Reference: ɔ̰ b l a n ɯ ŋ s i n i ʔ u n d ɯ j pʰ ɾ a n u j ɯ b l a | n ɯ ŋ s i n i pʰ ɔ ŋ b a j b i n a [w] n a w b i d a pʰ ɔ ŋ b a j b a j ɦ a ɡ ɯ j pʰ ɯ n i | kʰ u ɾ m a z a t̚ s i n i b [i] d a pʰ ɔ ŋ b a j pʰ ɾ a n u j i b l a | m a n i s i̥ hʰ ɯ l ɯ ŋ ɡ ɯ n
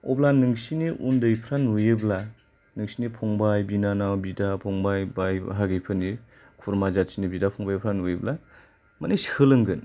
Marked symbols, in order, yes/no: no, yes

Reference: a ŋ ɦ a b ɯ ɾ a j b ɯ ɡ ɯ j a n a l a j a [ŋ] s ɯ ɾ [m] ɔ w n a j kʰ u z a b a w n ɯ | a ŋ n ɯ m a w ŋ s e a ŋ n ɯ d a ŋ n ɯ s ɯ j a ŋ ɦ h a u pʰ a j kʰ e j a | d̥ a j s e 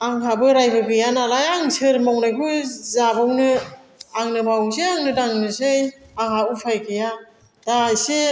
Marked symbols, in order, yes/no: yes, yes

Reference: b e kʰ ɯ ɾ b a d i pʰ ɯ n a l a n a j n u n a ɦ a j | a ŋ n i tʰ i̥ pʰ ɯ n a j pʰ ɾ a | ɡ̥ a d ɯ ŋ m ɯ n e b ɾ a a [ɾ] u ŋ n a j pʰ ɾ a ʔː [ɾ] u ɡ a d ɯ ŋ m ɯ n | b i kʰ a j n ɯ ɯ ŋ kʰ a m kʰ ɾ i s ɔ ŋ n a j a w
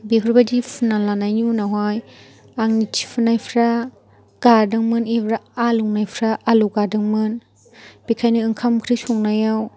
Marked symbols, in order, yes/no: no, no

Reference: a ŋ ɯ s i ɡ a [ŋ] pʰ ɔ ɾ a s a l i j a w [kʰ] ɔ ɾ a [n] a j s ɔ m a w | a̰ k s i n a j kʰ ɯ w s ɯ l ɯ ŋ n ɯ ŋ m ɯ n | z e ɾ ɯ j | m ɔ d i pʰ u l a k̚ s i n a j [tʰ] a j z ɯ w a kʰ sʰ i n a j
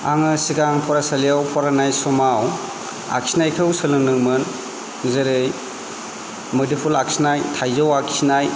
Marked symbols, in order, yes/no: yes, no, yes, yes

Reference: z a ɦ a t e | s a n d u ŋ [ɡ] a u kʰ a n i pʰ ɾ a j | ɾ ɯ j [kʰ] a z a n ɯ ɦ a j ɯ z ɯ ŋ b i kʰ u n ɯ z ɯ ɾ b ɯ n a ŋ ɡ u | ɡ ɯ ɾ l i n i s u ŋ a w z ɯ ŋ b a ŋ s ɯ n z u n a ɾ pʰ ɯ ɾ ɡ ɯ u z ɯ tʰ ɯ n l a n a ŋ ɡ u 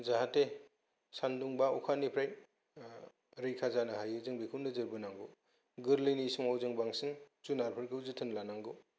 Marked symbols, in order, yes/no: no, yes

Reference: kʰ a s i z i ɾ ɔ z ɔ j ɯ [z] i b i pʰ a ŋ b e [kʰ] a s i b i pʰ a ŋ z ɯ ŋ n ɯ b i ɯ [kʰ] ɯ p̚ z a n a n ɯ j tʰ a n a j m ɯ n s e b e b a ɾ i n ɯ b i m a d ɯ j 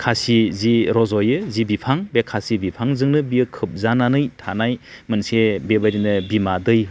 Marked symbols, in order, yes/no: yes, yes, yes

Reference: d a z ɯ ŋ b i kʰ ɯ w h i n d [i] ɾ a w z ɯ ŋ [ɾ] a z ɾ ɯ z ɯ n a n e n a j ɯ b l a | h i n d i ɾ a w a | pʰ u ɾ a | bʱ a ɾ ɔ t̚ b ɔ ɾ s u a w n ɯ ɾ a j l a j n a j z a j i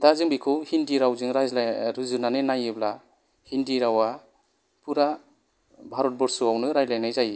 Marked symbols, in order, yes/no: yes, yes

